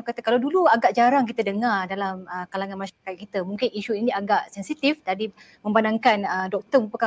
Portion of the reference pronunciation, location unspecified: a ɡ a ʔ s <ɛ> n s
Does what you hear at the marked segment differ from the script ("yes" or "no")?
no